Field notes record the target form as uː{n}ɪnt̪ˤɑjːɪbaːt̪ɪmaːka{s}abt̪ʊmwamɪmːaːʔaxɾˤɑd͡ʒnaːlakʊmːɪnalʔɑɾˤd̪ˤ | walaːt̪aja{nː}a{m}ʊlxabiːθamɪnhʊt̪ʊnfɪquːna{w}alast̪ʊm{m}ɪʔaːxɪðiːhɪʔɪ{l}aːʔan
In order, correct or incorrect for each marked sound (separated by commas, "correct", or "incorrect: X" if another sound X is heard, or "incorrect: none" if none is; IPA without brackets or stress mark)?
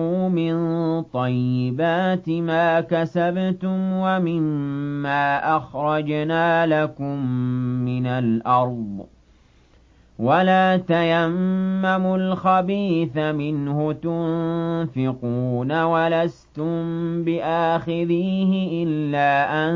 incorrect: m, correct, incorrect: mː, correct, correct, incorrect: b, incorrect: lː